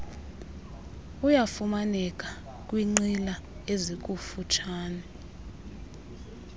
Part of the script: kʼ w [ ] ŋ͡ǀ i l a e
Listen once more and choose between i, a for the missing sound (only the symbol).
i